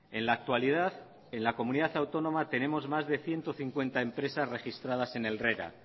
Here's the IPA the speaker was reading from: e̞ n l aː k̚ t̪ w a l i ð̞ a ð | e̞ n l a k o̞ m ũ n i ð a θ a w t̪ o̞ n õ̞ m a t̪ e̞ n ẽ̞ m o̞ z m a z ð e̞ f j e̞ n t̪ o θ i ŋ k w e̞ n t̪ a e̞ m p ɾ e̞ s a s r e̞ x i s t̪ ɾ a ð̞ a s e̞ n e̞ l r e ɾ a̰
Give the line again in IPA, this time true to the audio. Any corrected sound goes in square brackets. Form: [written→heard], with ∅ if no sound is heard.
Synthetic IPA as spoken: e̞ n l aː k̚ t̪ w a l i ð̞ a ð | e̞ n l a k o̞ m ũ n i ð a θ a w t̪ o̞ n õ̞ m a t̪ e̞ n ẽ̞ m o̞ z m a z ð e̞ [f→θ] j e̞ n t̪ o θ i ŋ k w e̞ n t̪ a e̞ m p ɾ e̞ s a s r e̞ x i s t̪ ɾ a ð̞ a s e̞ n e̞ l r e ɾ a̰

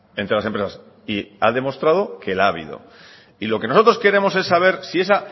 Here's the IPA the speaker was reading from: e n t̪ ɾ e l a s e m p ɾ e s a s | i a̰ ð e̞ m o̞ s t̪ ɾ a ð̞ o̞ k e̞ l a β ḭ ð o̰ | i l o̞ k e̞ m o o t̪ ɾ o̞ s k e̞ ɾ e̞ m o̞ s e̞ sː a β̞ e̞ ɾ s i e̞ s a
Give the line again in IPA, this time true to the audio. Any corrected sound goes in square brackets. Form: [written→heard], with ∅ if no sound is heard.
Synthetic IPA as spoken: e n t̪ ɾ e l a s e m p ɾ e s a s | i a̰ ð e̞ m o̞ s t̪ ɾ a ð̞ o̞ k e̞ l a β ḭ ð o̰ | i l o̞ k e̞ [m→n] o o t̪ ɾ o̞ s k e̞ ɾ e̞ m o̞ s e̞ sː a β̞ e̞ ɾ s i e̞ s a

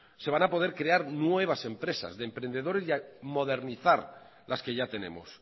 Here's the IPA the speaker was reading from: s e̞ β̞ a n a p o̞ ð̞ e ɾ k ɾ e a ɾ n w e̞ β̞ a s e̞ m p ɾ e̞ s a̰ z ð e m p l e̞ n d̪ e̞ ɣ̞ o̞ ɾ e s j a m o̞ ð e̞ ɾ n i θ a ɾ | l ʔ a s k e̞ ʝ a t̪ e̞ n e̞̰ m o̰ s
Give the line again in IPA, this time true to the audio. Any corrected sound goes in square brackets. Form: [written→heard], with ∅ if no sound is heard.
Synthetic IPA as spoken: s e̞ β̞ a n a p o̞ ð̞ e ɾ k ɾ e a ɾ n w e̞ β̞ a s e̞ m p ɾ e̞ s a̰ z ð e m p [l→ɾ] e̞ n d̪ e̞ [ɣ̞→ð̞] o̞ ɾ e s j a m o̞ ð e̞ ɾ n i θ a ɾ | l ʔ a s k e̞ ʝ a t̪ e̞ n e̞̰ m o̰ s

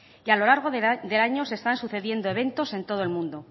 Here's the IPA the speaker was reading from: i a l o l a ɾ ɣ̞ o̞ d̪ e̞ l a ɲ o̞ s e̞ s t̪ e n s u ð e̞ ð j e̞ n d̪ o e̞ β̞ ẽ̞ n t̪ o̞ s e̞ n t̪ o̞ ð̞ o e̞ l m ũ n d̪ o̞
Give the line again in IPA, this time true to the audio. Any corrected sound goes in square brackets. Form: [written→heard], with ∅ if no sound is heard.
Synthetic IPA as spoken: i a l o l a ɾ ɣ̞ o̞ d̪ e̞ l a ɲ o̞ s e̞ s t̪ [e→a] n s u [ð→θ] e̞ ð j e̞ n d̪ o e̞ β̞ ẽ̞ n t̪ o̞ s e̞ n t̪ o̞ ð̞ o e̞ l m ũ n d̪ o̞

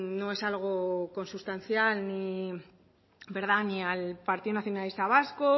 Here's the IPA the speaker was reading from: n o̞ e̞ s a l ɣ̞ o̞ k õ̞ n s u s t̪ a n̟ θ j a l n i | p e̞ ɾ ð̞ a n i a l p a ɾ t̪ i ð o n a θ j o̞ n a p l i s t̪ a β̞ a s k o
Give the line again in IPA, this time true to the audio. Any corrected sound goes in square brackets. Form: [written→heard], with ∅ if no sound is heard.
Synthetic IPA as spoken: n o̞ e̞ s a l ɣ̞ o̞ k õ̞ n s u s t̪ a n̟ θ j a l n i | [p→b] e̞ ɾ ð̞ a n i a l p a ɾ t̪ i ð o n a θ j o̞ n a [p→∅] l i s t̪ a β̞ a s k o

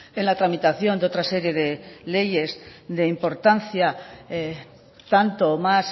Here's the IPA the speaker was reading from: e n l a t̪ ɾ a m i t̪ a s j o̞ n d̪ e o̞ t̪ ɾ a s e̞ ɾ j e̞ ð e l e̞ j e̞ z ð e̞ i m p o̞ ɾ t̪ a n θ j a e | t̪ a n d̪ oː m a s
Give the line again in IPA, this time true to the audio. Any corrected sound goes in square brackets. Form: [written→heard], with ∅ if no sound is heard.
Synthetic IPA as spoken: e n l a t̪ ɾ a m i t̪ a [s→θ] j o̞ n d̪ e o̞ t̪ ɾ a s e̞ ɾ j e̞ ð e l e̞ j e̞ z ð e̞ i m p o̞ ɾ t̪ a n θ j a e | t̪ a n [d̪→t̪] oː m a s

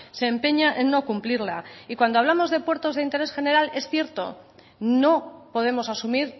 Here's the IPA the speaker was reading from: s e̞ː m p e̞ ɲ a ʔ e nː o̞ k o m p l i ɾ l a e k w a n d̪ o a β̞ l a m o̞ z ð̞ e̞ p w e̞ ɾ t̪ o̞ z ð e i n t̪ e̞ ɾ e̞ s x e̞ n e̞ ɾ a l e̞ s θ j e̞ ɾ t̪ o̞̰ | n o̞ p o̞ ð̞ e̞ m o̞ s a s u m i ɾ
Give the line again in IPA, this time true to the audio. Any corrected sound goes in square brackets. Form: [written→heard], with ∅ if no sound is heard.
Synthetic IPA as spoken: s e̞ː m p e̞ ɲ a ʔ e nː o̞ k [o→u] m p l i ɾ l a [e→i] k w a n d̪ o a β̞ l a m o̞ z ð̞ e̞ p w e̞ ɾ t̪ o̞ z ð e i n t̪ e̞ ɾ e̞ s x e̞ n e̞ ɾ a l e̞ s θ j e̞ ɾ t̪ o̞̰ | n o̞ p o̞ ð̞ e̞ m o̞ s a s u m i ɾ

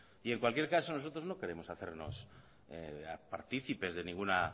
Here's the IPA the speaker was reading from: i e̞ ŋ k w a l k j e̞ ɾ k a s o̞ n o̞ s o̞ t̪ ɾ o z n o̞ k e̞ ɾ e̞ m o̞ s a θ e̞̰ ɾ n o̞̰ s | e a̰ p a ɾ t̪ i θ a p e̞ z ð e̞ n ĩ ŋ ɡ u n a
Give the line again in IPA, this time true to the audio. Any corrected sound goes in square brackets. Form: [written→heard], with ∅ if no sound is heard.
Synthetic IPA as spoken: i e̞ ŋ k w a l k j e̞ ɾ k a s o̞ n o̞ s o̞ t̪ ɾ o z n o̞ k e̞ ɾ e̞ m o̞ s a θ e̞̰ ɾ n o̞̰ s | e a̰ p a ɾ t̪ i θ [a→i] p e̞ z ð e̞ n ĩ ŋ ɡ u n a

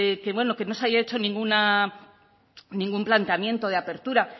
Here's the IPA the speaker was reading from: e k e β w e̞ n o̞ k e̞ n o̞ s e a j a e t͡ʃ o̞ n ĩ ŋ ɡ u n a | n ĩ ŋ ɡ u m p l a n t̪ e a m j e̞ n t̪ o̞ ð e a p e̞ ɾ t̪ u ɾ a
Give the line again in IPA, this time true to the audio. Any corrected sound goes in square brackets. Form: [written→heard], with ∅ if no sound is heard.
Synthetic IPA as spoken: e k e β w e̞ n o̞ k e̞ n o̞ s e a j a e t͡ʃ o̞ n ĩ ŋ ɡ u n a | n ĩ ŋ ɡ u m p l a n t̪ e a m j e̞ n t̪ o̞ ð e a p e̞ ɾ t̪ u ɾ a

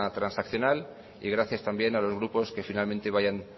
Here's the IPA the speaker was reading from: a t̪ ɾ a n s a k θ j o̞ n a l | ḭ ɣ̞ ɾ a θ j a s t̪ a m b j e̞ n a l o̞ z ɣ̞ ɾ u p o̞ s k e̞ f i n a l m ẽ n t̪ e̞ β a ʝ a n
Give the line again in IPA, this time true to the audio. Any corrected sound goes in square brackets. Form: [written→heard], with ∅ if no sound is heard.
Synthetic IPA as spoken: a t̪ ɾ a n s a k θ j o̞ n a l | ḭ ɣ̞ ɾ a θ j a s t̪ a m b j e̞ n a l o̞ z ɣ̞ ɾ u p o̞ s k e̞ f i n a l m ẽ n t̪ e̞ β a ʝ a n

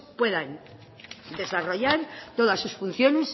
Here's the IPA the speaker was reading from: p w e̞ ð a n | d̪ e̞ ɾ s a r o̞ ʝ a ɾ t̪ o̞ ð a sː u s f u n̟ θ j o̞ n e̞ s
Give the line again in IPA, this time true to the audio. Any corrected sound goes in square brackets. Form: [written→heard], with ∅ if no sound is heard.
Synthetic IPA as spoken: p w e̞ ð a n | d̪ e̞ [ɾ→∅] s a r o̞ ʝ a ɾ t̪ o̞ ð a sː u s f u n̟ θ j o̞ n e̞ s

